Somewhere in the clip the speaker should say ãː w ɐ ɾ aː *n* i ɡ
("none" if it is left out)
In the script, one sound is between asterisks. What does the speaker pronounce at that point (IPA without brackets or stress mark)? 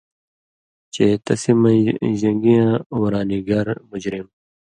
n